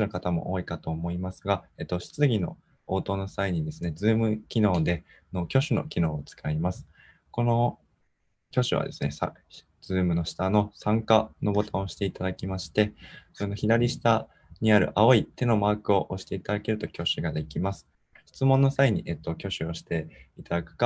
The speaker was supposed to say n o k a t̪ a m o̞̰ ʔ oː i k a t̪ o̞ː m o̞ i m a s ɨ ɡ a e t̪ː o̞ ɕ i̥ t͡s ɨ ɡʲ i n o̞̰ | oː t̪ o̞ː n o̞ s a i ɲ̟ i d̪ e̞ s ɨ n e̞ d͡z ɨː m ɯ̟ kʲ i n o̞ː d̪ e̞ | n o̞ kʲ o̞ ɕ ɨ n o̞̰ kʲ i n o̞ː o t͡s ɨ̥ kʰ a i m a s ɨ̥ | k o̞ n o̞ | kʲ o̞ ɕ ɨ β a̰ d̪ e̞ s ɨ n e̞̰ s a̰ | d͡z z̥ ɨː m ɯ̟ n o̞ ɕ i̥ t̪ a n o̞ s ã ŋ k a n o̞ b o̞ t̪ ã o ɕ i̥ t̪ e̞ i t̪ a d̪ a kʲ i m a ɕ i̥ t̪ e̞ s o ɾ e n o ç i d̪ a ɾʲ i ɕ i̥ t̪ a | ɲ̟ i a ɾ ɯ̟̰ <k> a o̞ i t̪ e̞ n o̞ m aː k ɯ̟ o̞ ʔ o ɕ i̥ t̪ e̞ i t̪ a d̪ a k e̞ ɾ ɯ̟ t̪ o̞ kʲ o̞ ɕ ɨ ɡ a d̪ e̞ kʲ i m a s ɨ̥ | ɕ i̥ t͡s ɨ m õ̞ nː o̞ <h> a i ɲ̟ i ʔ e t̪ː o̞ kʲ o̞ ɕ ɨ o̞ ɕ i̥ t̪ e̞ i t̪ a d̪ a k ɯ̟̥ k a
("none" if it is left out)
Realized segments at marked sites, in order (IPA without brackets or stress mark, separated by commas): ʔ, s